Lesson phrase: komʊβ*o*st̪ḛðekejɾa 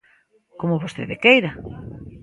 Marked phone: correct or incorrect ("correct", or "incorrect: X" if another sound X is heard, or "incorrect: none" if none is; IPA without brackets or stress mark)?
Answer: correct